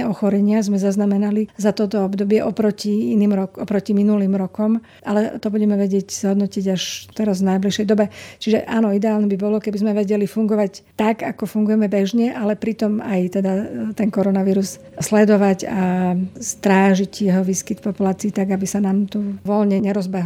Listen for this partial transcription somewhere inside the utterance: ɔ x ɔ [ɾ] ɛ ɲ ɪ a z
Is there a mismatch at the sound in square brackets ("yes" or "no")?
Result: no